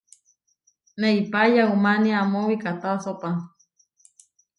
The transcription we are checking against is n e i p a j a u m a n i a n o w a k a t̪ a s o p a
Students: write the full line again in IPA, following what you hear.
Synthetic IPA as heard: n e i p a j a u m a n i a m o w i k a t̪ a s o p a